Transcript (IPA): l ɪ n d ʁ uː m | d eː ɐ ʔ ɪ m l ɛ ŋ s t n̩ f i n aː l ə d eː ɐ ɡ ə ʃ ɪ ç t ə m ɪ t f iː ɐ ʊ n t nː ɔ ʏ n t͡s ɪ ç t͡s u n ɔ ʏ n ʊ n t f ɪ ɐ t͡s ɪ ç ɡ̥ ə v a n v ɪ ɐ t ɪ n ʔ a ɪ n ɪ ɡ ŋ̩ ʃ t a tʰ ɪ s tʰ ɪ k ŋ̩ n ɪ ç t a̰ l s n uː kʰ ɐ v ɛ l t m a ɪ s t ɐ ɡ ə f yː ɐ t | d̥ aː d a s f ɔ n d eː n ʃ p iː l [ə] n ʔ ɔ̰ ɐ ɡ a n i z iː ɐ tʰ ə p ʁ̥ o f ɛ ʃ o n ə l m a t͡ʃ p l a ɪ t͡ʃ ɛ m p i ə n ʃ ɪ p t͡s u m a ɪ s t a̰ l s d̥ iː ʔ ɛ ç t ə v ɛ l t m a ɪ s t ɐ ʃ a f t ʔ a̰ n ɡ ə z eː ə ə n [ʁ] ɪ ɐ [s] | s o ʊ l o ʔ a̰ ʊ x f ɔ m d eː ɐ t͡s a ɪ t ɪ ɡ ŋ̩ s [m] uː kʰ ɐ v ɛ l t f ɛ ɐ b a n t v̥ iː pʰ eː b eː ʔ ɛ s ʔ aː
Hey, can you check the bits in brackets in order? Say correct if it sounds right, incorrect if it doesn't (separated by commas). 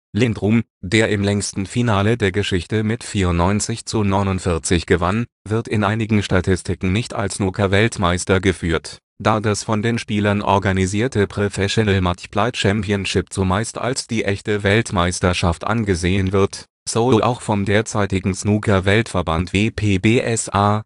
incorrect, incorrect, incorrect, incorrect